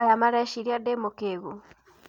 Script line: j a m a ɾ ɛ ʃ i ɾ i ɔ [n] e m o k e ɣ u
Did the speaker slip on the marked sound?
yes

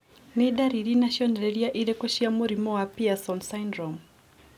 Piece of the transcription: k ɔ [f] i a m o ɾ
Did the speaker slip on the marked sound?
yes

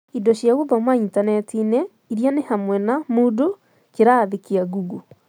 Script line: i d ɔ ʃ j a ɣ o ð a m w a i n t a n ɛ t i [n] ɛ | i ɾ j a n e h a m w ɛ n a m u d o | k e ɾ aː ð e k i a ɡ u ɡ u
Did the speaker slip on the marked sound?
no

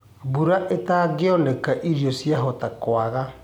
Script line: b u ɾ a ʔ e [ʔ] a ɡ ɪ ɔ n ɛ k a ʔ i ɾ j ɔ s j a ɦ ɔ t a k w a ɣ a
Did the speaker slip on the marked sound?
yes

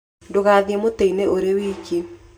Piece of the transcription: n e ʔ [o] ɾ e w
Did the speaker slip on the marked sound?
no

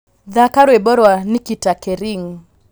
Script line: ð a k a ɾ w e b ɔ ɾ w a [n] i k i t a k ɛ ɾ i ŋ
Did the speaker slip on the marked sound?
no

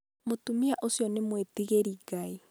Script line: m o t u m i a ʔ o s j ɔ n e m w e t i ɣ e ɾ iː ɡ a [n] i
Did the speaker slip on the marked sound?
yes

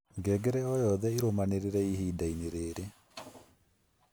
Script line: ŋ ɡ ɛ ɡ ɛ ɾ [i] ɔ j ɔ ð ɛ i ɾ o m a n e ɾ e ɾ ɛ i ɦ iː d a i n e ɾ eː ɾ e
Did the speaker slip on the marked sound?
yes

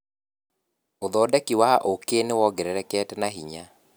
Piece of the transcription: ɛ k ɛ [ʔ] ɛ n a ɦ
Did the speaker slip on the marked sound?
yes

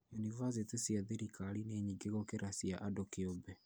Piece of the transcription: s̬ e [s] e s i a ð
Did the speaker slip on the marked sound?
yes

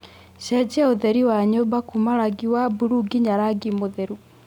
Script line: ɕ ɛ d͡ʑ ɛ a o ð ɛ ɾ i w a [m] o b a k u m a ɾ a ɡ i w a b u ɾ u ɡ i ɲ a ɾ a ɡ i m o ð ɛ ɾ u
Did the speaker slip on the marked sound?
yes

